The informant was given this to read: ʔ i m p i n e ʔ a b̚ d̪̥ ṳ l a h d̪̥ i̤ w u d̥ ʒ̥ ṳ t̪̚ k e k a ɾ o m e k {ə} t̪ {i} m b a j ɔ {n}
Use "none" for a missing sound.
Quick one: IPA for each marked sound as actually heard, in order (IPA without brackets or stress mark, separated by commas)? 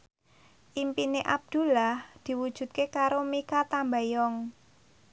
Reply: a, a, ŋ